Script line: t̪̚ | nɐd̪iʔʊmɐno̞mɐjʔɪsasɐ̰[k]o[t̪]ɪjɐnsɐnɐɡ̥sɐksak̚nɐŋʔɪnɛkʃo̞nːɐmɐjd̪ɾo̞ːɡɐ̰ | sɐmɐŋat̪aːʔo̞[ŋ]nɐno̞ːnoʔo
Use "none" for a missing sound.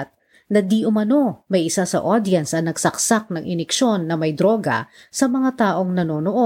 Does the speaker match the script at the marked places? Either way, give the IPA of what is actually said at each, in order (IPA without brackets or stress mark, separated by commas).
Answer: ʔ, d̪, ŋ